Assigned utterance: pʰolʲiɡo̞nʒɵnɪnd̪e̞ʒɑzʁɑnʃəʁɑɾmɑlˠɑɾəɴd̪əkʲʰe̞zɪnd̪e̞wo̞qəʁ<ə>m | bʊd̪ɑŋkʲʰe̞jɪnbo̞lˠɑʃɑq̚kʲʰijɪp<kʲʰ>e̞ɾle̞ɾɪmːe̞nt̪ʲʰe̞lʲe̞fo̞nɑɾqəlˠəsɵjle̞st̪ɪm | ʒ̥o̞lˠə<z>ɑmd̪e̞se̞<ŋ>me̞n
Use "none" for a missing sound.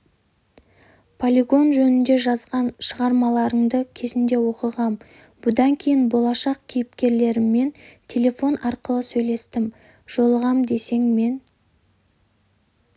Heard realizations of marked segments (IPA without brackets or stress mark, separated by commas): ɑ, kʲ, ʁ, ŋ